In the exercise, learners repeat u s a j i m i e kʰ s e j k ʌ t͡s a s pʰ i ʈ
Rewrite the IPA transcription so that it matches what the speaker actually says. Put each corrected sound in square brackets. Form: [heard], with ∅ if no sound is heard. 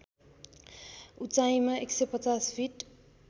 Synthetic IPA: u [t͡s] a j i m [a] e [k] s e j [p] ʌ t͡s a s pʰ i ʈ